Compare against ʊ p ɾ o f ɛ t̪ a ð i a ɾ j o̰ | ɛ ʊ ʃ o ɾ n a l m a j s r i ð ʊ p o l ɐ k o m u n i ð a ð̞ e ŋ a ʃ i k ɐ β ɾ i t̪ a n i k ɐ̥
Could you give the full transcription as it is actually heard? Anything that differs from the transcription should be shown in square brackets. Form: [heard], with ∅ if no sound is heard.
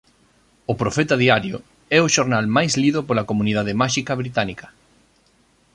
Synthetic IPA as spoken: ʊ p ɾ o f ɛ t̪ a ð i a ɾ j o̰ | ɛ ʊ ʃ o ɾ n a l m a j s [l] i ð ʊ p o l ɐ k o m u n i ð a ð̞ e [m] a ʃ i k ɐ β ɾ i t̪ a n i k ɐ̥